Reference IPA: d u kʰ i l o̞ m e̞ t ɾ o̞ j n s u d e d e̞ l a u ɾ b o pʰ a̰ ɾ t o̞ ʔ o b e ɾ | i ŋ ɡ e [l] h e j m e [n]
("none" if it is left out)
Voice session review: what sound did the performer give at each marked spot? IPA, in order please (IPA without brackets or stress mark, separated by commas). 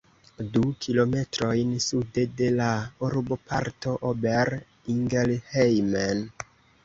l, n